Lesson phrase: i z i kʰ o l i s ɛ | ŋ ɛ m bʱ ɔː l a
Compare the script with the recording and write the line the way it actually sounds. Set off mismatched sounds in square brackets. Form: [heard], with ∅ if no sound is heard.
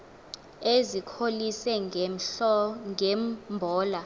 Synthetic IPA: [e] z i kʰ o l i s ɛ | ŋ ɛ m bʱ ɔː l a